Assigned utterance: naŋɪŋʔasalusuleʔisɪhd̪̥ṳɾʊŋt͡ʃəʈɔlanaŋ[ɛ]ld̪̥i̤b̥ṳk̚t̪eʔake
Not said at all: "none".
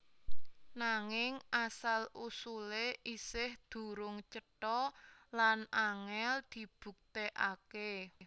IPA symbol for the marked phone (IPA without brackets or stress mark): ɛ